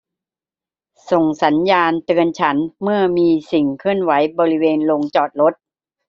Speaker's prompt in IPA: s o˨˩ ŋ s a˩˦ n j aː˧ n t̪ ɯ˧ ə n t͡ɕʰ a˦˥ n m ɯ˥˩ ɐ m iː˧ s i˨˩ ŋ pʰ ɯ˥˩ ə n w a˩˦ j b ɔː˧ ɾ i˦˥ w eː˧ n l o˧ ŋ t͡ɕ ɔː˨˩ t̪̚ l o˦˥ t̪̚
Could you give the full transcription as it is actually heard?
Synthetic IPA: s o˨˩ ŋ s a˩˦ n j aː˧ n t̪ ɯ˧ ə n t͡ɕʰ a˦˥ n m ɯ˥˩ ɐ m iː˧ s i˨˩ ŋ kʰ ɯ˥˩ ə n w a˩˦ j b ɔː˧ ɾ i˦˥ w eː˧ n l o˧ ŋ t͡ɕ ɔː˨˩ t̪̚ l o˦˥ t̪̚